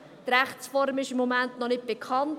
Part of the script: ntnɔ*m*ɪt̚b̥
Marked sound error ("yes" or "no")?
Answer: yes